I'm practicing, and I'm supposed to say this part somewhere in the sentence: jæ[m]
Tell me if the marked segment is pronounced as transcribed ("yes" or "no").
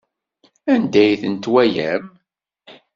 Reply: yes